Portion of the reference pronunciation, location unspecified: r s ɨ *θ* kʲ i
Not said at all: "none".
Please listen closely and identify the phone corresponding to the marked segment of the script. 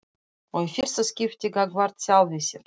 s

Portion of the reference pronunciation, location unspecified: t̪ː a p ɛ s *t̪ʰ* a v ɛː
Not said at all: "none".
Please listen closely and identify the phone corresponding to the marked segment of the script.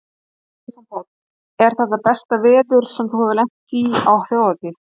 t̪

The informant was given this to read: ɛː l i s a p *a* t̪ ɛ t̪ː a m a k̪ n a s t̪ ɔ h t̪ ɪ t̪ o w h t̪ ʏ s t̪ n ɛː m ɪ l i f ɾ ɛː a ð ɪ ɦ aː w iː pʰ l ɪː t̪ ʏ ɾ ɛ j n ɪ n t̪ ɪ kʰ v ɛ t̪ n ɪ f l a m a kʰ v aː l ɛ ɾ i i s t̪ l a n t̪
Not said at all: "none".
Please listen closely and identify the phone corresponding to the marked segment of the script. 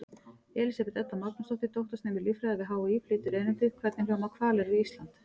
ɛ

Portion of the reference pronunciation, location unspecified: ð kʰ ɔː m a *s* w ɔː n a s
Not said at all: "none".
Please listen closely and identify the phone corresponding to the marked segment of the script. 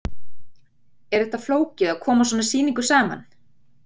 s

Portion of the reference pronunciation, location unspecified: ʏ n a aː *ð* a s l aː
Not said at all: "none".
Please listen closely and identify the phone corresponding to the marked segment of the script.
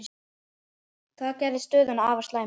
v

